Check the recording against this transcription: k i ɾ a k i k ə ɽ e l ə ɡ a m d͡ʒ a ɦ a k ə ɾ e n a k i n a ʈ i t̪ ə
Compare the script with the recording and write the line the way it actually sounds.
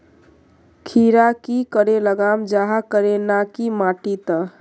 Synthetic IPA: kʰ i ɾ a k i k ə ɾ e l ə ɡ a m d͡ʒ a ɦ a k ə ɾ e n a k i m a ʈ i t̪ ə